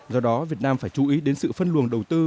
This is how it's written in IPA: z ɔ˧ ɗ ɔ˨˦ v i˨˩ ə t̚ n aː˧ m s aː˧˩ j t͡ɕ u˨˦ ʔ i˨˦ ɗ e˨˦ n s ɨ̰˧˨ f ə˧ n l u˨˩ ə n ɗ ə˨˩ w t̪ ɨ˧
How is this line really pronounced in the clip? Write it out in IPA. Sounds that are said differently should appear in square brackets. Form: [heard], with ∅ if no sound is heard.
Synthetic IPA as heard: z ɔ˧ ɗ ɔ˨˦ v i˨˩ ə t̚ n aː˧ m [f] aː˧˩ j t͡ɕ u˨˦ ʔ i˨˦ ɗ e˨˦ n s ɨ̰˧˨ f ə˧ n l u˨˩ ə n ɗ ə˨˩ w t̪ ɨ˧